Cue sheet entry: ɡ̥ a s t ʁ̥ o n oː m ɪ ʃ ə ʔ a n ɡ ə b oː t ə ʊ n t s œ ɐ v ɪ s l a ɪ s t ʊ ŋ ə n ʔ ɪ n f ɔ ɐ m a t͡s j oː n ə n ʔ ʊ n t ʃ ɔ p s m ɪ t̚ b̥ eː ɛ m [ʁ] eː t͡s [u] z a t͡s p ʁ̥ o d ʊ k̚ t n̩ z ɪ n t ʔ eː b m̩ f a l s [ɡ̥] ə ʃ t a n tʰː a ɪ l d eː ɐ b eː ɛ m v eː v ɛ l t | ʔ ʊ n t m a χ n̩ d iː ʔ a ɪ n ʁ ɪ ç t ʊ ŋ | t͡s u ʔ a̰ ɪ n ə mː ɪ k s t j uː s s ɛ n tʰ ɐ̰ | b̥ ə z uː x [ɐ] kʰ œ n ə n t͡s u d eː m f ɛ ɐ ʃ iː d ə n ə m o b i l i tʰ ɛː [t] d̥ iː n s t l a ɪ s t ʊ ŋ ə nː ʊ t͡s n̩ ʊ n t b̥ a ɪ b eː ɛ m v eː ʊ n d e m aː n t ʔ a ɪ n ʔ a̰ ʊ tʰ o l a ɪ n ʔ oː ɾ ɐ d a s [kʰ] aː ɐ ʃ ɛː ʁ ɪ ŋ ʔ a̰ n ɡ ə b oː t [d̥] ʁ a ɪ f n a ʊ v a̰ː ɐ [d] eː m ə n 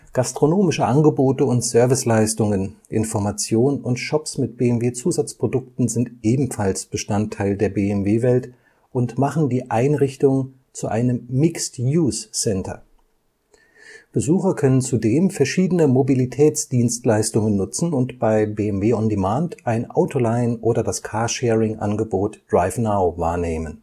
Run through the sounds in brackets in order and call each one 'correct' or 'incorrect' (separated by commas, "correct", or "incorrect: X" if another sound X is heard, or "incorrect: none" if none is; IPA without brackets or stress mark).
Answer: incorrect: v, incorrect: uː, incorrect: b̥, correct, incorrect: t͡s, correct, correct, incorrect: n